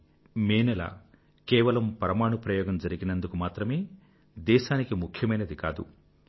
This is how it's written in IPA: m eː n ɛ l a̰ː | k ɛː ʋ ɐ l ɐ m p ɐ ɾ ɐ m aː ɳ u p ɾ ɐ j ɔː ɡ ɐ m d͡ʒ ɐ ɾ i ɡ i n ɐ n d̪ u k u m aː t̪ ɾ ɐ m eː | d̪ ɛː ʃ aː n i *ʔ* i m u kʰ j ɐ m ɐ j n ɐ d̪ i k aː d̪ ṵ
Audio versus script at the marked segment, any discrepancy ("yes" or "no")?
yes